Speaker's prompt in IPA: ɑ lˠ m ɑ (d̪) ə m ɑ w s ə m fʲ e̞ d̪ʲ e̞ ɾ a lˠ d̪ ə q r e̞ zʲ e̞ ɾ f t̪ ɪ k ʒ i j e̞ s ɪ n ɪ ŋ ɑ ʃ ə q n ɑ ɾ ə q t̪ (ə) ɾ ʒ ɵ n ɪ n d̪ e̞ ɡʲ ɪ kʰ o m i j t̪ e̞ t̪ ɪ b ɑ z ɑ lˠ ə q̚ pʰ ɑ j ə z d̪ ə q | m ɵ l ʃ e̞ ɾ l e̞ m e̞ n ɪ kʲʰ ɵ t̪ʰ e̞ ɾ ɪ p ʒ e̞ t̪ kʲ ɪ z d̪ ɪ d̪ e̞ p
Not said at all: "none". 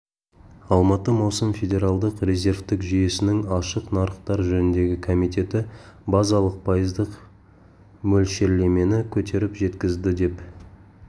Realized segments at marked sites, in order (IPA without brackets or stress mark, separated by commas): t̪, ɑ